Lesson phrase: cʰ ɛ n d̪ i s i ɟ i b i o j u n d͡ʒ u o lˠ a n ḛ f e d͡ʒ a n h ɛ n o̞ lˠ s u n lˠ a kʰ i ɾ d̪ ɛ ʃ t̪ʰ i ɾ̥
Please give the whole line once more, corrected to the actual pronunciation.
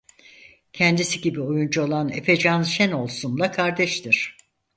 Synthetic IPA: cʰ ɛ n d̪ i s i ɟ i b i o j u n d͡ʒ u o lˠ a n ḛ f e d͡ʒ a n ʃ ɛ n o̞ lˠ s u n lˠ a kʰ a ɾ d̪ ɛ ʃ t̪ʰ i ɾ̥